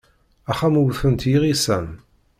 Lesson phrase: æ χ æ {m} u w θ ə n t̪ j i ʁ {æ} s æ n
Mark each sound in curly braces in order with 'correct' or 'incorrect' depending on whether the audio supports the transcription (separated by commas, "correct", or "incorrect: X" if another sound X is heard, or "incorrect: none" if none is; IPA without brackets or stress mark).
correct, incorrect: i